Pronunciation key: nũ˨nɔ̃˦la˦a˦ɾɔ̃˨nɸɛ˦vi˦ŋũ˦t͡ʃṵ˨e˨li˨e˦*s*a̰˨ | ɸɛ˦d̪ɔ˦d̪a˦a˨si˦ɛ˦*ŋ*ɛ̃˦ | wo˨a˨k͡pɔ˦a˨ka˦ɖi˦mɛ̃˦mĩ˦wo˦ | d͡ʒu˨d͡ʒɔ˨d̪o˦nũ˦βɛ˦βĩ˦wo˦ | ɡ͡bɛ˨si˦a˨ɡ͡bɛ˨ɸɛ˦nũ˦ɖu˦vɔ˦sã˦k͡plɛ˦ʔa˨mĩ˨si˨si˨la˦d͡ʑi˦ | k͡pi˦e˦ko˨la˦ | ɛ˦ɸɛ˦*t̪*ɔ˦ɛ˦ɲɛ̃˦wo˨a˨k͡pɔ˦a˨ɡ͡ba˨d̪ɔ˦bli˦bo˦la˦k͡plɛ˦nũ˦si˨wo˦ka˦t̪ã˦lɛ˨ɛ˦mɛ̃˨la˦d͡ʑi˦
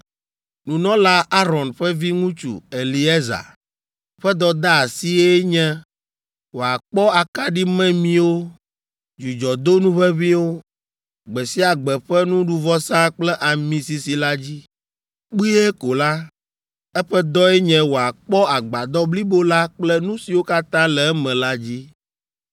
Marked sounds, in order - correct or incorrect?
incorrect, incorrect, incorrect

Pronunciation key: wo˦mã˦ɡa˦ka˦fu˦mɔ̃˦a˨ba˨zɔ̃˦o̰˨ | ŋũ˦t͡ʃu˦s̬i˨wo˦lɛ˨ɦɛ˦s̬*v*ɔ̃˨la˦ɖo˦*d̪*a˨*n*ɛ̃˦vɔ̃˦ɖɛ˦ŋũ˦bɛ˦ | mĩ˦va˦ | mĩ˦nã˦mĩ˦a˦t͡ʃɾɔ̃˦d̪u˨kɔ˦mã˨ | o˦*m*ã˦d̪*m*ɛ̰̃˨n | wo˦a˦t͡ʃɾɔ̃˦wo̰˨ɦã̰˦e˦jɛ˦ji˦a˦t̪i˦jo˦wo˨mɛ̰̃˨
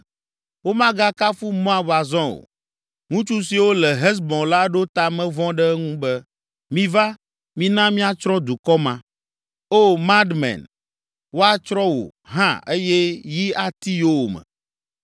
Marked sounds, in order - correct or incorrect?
incorrect, incorrect, incorrect, correct, correct

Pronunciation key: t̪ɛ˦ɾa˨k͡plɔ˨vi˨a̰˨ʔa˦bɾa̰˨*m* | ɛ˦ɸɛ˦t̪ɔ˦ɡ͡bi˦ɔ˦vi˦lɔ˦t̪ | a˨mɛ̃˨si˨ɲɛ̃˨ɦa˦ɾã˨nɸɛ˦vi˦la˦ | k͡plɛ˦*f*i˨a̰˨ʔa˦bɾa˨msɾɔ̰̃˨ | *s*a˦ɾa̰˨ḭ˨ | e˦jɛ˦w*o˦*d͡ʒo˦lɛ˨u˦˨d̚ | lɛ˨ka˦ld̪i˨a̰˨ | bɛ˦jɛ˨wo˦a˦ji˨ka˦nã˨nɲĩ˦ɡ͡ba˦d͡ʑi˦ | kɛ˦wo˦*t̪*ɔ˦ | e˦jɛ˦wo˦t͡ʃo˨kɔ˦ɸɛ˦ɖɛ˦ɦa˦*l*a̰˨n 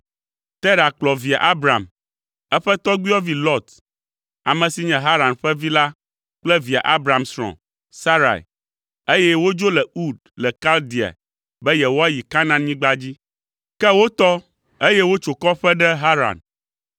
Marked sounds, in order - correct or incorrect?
correct, incorrect, correct, correct, correct, incorrect

